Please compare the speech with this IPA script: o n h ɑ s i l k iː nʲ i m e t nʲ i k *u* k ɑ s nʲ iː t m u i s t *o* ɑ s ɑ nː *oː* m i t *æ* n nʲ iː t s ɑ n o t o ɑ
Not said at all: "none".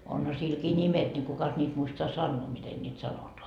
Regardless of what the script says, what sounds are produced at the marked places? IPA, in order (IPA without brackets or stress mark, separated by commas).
u, o, oː, e